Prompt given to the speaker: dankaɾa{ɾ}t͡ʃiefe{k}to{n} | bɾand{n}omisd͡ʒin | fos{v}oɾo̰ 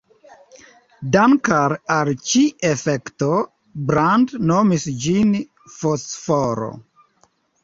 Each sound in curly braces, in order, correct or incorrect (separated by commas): incorrect, correct, incorrect, correct, incorrect